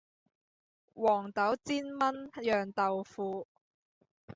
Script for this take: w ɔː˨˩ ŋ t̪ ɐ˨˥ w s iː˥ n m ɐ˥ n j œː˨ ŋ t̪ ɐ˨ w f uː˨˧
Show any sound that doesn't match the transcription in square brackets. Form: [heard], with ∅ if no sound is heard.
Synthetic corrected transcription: w ɔː˨˩ ŋ t̪ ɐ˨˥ w [t͡s] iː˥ n m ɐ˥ n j œː˨ ŋ t̪ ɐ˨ w f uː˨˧